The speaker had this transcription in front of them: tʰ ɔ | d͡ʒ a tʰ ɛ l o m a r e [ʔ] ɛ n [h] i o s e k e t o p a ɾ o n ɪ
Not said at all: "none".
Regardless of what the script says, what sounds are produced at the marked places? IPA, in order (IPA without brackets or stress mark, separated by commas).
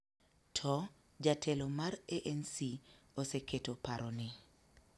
ʔ, s